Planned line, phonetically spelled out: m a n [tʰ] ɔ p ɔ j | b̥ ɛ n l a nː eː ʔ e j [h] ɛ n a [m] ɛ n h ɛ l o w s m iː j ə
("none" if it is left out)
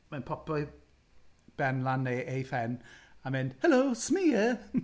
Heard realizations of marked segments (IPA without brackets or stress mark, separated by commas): pʰ, f, m